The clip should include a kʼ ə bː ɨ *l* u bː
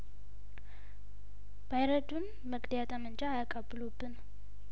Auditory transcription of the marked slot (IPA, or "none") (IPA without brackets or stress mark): l